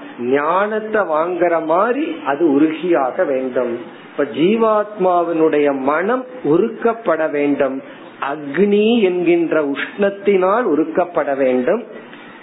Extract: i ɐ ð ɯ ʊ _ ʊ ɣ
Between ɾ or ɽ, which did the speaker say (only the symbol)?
ɾ